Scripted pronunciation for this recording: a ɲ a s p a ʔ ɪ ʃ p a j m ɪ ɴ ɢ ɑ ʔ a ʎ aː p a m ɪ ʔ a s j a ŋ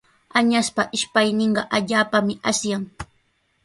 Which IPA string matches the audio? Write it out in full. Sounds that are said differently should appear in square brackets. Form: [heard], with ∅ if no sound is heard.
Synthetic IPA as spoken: a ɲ a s p a ʔ ɪ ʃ p a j [n] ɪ ɴ ɢ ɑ ʔ a ʎ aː p a m ɪ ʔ a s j a ŋ